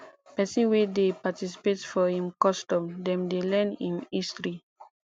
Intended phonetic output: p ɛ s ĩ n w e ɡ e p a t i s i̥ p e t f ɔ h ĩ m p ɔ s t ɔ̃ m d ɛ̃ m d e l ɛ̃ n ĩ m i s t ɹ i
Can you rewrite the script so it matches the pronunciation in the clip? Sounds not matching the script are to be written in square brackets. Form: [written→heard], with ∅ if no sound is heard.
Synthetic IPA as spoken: p ɛ s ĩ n w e [ɡ→d] e p a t i s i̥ p e t f ɔ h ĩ m [p→k] ɔ s t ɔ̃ m d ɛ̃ m d e l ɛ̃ n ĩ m i s t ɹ i

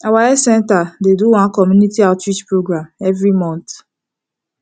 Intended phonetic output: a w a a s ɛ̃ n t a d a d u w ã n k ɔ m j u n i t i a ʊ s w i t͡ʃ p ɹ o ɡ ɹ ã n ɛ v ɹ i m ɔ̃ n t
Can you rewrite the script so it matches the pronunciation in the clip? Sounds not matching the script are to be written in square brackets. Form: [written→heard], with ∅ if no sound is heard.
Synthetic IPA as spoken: a w a [a→ɛ] s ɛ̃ n t a d [a→e] d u w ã n k ɔ m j u n i t i a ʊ [s→t] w i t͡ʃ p ɹ o ɡ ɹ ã [n→m] ɛ v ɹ i m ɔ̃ n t

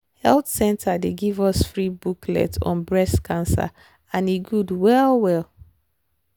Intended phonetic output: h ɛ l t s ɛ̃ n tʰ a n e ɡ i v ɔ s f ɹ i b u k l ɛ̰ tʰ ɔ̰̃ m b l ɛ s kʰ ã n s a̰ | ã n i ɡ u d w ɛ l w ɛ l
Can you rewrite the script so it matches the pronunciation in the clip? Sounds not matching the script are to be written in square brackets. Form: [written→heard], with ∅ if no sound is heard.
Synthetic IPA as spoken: h ɛ l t s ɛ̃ n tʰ a [n→d] e ɡ i v ɔ s f ɹ i b u k l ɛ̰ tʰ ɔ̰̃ [m→n] b [l→ɹ] ɛ s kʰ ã n s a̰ | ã n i ɡ u d w ɛ l w ɛ l

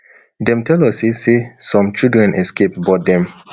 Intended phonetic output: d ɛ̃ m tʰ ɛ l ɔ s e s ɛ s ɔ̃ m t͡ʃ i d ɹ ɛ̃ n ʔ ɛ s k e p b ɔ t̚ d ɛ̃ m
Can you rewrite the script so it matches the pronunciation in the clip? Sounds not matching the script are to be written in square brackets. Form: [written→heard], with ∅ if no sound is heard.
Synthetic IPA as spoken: d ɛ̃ m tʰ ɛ l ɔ s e s [ɛ→e] s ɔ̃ m t͡ʃ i d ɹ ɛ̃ n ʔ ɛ s k e p b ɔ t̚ d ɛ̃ m

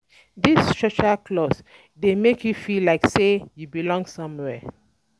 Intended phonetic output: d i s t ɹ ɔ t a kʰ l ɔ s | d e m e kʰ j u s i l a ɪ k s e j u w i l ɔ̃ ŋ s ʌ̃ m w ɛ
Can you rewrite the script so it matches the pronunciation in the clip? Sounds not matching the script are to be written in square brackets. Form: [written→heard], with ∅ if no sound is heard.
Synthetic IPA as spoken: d i s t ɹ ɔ [t→t͡ʃ] a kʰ l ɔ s | d e m e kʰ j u [s→f] i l a ɪ k s e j u [w→b] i l ɔ̃ ŋ s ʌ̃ m w ɛ

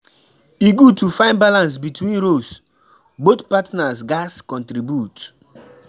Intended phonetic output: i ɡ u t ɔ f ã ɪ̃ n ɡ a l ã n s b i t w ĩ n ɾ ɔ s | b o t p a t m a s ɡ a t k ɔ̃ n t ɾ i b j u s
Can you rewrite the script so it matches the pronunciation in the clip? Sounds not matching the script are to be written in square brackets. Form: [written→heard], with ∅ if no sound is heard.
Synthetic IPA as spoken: i ɡ u t [ɔ→u] f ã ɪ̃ n [ɡ→b] a l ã n s b i t w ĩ n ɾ [ɔ→o] s | b o t p a t [m→n] a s ɡ a [t→s] k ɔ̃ n t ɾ i b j u [s→t]

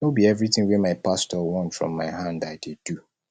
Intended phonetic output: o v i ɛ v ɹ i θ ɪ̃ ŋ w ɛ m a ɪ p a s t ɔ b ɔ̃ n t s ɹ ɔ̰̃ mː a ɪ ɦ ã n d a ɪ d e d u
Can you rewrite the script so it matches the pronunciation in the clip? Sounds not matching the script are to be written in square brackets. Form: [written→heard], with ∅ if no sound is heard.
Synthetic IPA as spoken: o [v→b] i ɛ v ɹ i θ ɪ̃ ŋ w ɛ m a ɪ p a s t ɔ [b→w] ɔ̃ n t [s→f] ɹ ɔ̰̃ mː a ɪ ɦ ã n d a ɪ d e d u

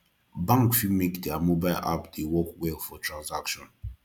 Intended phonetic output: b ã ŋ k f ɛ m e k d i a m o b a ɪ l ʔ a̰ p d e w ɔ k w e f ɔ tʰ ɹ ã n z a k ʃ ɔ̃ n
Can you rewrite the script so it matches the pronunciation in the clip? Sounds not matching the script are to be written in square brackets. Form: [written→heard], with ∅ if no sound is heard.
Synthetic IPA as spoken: b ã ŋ k f [ɛ→i] m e k d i a m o b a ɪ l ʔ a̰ p d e w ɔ k w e f ɔ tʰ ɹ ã n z a k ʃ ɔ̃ n

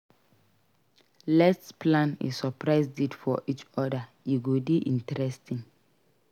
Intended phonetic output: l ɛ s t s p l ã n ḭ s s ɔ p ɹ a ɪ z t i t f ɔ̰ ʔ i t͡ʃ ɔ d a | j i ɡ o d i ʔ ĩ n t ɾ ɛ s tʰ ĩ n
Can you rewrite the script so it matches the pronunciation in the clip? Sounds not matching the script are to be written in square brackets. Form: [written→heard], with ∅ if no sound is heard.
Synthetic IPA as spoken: l ɛ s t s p l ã n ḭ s s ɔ p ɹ a ɪ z [t→d] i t f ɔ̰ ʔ i t͡ʃ ɔ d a | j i ɡ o d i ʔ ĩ n t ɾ ɛ s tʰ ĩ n

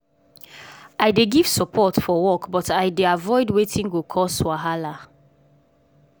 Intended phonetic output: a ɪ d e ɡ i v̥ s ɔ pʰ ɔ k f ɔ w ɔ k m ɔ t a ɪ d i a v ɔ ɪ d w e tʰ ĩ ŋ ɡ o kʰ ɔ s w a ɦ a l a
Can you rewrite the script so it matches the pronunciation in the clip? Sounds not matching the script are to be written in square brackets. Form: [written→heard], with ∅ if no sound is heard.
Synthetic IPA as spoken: a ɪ d e ɡ i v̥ s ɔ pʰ ɔ [k→t] f ɔ w ɔ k [m→b] ɔ t a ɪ d [i→e] a v ɔ ɪ d w e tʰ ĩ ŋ ɡ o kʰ ɔ s w a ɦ a l a

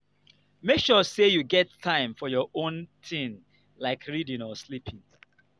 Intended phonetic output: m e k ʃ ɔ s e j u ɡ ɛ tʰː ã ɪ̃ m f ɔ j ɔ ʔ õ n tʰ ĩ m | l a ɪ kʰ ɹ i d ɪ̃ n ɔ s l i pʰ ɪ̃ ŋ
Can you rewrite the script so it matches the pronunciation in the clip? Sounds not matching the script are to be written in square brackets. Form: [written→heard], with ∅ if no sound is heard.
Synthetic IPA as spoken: m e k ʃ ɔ s e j u ɡ ɛ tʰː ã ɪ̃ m f ɔ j ɔ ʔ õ n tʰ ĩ [m→n] | l a ɪ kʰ ɹ i d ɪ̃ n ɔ s l i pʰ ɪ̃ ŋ

